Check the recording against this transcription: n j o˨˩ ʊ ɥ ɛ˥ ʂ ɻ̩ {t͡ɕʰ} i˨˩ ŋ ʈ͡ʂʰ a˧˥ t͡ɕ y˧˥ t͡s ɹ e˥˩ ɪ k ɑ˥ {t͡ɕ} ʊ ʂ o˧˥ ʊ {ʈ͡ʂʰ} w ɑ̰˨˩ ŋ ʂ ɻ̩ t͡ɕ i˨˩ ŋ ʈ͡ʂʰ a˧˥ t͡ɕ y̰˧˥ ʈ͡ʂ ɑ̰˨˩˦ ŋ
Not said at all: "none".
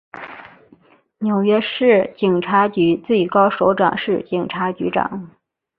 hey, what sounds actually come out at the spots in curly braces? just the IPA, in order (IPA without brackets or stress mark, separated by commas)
t͡ɕ, none, ʈ͡ʂ